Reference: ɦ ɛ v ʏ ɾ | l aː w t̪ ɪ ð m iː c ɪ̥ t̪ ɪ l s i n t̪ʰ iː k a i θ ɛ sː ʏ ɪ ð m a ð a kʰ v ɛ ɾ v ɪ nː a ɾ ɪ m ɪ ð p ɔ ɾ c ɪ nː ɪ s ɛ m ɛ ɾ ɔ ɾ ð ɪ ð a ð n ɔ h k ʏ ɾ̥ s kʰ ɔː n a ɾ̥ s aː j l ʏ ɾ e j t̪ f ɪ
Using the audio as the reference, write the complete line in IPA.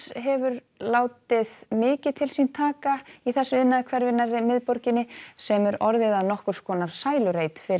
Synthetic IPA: ɦ ɛ v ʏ ɾ | l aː w t̪ ɪ ð m ɪː c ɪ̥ t̪ʰ ɪ l s i n t̪ʰ aː k a i θ ɛ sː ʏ ɪ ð n a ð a kʰ v ɛ ɾ v ɪ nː a ɾ ɪ m ɪ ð p ɔ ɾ c ɪ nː ɪ s ɛ m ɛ ɾ ɔ ɾ ð ɪ ð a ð n ɔ h k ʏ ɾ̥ s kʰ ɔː n a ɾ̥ s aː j l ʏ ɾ e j t̪ f ɪ